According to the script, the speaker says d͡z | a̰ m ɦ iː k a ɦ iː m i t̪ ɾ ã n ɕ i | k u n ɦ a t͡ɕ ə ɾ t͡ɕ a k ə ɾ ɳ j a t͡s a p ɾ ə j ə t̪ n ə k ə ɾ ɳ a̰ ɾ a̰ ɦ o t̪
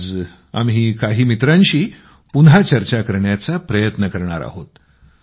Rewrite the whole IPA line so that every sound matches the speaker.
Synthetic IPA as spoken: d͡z | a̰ m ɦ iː k a ɦ iː m i t̪ ɾ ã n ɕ iː | p u n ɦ a t͡ɕ ə ɾ t͡ɕ a k ə ɾ ɳ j a t͡s a p ɾ ə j ə t̪ n ə k ə ɾ ɳ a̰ ɾ a̰ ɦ o t̪